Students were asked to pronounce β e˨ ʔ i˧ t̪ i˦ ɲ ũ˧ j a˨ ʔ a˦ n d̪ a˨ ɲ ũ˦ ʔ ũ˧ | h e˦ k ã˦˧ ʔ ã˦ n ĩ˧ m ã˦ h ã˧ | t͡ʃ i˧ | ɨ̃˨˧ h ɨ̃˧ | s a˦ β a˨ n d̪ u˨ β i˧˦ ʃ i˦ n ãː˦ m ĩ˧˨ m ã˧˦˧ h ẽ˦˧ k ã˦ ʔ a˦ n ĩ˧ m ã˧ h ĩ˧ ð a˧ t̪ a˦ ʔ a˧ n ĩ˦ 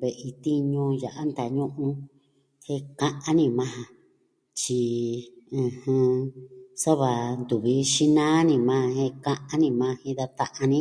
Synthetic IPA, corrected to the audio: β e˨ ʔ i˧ t̪ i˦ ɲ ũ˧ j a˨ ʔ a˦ n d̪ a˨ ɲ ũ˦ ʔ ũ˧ | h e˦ k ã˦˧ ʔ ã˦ n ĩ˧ m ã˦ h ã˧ | t͡ʃ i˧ | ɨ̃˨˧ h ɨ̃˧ | s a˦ β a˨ n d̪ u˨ β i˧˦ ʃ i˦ n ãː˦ n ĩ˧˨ m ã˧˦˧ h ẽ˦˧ k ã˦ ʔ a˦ n ĩ˧ m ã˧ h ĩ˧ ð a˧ t̪ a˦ ʔ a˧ n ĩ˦

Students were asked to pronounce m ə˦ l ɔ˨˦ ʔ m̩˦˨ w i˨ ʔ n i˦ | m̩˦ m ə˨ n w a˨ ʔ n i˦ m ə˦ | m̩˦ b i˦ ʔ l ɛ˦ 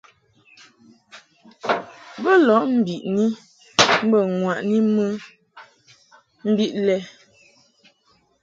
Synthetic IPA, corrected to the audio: b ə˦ l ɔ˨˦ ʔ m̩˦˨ b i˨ ʔ n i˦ | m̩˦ b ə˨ ŋ w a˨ ʔ n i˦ m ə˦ | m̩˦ b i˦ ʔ l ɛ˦

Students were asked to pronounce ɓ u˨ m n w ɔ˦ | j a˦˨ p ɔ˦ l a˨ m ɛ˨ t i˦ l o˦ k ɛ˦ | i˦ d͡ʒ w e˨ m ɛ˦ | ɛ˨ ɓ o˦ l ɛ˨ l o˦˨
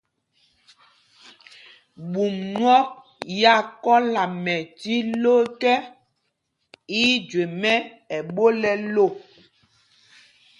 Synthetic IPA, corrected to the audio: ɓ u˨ m n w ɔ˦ | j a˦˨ k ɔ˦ l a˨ m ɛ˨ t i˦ l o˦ k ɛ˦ | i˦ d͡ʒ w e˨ m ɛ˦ | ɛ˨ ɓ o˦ l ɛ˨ l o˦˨

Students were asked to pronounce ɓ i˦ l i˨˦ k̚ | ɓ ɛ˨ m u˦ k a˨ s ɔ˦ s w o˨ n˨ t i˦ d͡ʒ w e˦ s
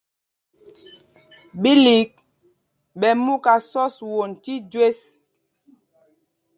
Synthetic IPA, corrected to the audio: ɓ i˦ l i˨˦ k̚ | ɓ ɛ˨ m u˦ k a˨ s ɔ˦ s w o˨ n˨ t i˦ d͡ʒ w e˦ s

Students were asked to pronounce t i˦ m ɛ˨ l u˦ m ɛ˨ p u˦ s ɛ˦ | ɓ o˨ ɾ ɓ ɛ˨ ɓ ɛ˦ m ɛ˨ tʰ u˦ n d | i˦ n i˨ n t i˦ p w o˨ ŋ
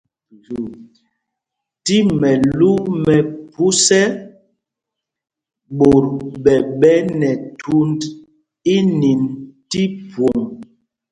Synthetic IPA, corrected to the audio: t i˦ m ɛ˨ l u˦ m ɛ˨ p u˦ s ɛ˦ | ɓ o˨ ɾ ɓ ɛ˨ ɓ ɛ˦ n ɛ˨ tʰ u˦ n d | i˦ n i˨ n t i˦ p w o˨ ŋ

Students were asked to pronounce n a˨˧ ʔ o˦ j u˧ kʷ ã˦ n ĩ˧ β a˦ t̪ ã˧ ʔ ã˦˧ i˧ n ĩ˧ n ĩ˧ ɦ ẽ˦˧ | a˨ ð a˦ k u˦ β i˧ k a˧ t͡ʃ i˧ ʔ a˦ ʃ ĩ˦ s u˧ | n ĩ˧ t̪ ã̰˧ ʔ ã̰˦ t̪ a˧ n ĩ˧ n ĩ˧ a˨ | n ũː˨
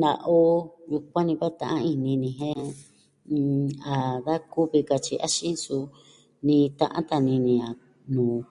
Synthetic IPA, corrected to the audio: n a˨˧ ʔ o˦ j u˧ kʷ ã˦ n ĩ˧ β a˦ t̪ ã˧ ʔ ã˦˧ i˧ n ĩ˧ n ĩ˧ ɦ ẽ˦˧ | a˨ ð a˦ k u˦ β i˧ k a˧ t͡ʃ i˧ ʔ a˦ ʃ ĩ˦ s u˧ | n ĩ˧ t̪ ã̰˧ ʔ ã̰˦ t̪ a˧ n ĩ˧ n ĩ˧ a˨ | n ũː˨

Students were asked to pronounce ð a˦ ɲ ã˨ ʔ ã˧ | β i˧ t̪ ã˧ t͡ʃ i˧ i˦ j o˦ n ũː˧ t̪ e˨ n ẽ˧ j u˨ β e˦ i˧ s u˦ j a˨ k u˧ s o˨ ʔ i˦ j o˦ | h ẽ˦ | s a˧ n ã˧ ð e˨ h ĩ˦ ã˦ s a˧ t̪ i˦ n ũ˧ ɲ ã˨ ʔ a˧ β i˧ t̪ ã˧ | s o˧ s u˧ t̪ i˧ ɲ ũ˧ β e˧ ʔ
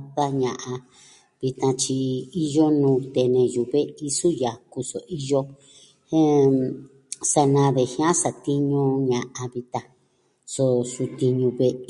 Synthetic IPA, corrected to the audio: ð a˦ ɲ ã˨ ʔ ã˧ | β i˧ t̪ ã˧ t͡ʃ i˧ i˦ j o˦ n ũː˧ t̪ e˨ n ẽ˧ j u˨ β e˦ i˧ s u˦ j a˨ k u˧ s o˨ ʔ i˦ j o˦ | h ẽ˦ | s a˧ n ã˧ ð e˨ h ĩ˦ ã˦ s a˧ t̪ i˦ ɲ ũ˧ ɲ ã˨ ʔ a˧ β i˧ t̪ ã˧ | s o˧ s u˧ t̪ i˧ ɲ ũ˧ β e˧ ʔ

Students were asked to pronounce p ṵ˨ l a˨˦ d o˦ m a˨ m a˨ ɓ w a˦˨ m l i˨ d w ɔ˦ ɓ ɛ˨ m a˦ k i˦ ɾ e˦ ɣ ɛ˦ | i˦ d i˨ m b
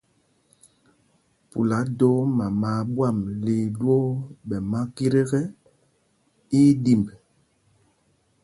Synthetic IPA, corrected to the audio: p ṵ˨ l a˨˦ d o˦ m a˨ m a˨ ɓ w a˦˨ m l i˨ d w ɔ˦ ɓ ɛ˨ m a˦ k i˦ ɾ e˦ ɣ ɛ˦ | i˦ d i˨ m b

